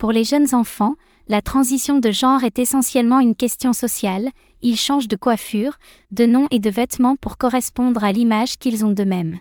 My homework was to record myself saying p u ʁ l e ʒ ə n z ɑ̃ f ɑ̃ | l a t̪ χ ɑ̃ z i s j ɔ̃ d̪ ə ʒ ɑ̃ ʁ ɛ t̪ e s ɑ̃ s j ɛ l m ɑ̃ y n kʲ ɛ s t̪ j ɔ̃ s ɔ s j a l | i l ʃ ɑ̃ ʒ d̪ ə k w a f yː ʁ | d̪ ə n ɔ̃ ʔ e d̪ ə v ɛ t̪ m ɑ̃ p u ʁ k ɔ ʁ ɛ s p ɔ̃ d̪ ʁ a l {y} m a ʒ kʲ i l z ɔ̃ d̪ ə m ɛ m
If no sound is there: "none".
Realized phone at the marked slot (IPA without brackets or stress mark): i